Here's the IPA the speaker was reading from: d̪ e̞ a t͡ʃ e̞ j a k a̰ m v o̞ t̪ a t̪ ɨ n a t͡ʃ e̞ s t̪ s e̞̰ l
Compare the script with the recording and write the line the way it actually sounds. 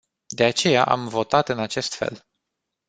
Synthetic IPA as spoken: d̪ e̞ a t͡ʃ e̞ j a ʔ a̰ m v o̞ t̪ a t̪ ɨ n a t͡ʃ e̞ s t̪ f e̞̰ l